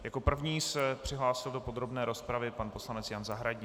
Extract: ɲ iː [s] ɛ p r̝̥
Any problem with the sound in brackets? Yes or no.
no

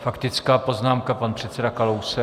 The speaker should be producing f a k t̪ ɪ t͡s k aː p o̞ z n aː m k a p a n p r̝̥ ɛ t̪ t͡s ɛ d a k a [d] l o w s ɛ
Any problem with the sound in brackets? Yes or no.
yes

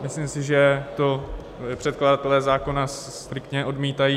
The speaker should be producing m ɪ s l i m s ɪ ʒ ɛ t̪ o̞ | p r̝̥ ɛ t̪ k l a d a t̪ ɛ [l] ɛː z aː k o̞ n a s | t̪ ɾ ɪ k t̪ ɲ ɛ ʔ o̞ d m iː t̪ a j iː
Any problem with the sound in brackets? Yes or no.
no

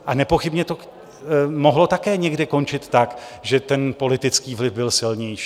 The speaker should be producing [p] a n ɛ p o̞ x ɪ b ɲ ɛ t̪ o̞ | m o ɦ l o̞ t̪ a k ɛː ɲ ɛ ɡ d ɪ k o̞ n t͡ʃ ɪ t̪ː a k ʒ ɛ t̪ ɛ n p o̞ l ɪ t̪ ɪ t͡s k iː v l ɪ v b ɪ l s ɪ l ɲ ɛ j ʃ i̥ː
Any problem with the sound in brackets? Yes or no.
yes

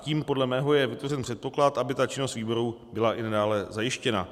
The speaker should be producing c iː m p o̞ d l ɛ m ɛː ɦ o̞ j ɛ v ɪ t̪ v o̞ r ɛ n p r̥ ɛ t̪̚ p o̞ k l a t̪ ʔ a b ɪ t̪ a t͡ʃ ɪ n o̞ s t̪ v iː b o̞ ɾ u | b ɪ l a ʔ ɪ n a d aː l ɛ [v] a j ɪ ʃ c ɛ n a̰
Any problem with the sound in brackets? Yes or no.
yes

